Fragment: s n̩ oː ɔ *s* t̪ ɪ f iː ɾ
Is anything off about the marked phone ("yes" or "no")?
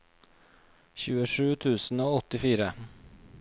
yes